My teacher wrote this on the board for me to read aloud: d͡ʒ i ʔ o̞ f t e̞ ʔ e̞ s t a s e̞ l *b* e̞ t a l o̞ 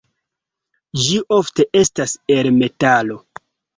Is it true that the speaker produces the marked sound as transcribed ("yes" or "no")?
no